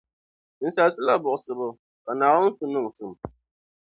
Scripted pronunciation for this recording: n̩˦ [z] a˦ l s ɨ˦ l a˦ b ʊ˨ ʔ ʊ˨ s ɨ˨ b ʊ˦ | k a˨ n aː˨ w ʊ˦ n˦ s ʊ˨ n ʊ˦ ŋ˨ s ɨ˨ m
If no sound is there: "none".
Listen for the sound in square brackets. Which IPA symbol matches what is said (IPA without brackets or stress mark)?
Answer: s